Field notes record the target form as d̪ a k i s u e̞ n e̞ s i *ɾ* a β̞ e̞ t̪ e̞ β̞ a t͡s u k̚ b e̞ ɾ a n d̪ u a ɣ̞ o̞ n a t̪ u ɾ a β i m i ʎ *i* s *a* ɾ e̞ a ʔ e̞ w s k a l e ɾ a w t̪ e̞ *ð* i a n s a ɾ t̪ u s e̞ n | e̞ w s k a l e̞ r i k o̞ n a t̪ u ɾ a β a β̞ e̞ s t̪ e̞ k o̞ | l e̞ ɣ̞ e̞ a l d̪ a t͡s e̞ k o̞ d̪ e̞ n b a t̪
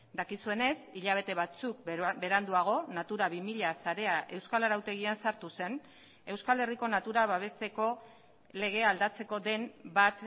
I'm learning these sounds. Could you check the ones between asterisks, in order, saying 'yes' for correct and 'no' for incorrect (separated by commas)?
no, no, yes, no